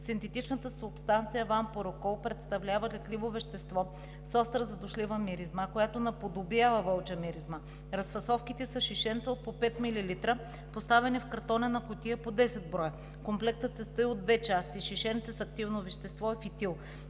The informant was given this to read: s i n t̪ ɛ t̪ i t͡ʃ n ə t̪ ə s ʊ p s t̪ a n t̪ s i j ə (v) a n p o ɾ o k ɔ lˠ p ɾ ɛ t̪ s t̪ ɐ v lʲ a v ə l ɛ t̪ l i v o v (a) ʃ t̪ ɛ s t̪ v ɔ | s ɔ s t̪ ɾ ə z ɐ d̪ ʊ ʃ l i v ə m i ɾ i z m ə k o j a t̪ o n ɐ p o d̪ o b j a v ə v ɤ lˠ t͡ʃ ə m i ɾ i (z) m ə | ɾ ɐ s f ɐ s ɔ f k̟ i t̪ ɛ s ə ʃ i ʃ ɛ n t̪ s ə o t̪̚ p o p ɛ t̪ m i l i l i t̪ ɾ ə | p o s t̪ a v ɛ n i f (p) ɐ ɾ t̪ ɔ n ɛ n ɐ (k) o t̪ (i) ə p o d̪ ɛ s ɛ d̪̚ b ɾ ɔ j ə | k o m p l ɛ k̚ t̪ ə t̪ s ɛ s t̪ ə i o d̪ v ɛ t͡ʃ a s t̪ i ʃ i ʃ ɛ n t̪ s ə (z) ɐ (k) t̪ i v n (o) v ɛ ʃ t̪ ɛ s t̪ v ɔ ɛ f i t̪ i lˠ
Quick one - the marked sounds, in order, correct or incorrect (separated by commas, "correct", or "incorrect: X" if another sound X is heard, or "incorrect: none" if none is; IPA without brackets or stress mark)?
correct, incorrect: ɛ, correct, incorrect: k, correct, correct, incorrect: s, correct, correct